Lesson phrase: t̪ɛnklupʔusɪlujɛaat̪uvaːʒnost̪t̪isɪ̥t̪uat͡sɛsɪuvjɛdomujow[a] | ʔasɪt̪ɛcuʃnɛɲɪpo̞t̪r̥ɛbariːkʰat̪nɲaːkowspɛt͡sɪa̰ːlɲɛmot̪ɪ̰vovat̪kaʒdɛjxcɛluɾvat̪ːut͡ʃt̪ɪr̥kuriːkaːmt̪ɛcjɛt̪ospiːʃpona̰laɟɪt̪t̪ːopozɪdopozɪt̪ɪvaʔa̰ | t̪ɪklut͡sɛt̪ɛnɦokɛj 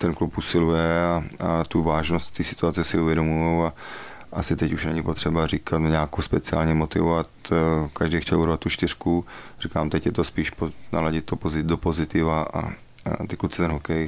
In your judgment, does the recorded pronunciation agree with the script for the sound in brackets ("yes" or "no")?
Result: yes